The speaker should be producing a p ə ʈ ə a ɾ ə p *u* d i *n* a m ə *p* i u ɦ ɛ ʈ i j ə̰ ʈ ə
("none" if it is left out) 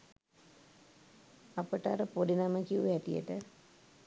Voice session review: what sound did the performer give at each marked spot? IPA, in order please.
o, n, k

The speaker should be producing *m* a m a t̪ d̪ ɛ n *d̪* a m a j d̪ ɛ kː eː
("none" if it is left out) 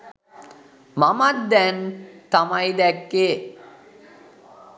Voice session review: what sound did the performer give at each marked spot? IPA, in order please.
m, t̪

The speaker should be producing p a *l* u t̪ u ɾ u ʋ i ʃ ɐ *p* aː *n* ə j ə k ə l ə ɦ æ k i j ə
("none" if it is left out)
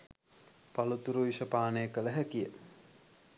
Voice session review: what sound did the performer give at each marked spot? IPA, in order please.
l, p, n

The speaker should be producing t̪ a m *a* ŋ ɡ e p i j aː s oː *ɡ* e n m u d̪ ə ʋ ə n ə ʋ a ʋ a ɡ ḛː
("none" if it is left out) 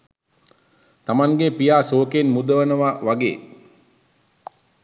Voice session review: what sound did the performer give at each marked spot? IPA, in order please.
a, k

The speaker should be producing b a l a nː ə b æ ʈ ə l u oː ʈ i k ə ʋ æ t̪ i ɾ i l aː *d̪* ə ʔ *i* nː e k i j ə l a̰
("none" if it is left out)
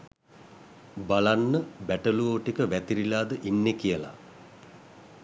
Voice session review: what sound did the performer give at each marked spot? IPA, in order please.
d̪, i

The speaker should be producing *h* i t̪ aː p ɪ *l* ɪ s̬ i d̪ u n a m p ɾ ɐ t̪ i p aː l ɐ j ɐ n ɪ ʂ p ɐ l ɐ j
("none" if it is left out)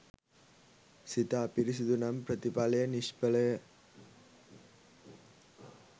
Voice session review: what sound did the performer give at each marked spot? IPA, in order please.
s, ɾ

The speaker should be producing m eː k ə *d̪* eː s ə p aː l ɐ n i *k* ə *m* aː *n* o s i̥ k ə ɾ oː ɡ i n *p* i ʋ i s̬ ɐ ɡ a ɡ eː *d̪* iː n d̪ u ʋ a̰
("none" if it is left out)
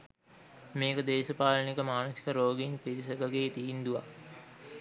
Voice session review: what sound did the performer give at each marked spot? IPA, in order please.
d̪, k, m, n, p, t̪

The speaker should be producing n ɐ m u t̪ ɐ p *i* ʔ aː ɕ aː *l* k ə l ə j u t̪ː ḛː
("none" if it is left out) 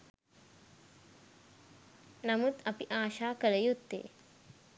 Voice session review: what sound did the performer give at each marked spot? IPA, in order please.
i, none

